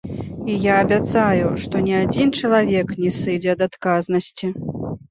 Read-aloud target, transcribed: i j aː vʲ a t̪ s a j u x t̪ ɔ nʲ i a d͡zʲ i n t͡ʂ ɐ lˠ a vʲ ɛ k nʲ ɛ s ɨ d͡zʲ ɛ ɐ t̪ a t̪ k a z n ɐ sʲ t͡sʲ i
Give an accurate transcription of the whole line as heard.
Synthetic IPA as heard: i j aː bʲ a t̪ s a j u ʂ t̪ ɔ nʲ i a d͡zʲ i n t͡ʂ ɐ lˠ a vʲ ɛ k nʲ ɛ s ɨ d͡zʲ ɛ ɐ d̪ a t̪ k a z n ɐ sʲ t͡sʲ i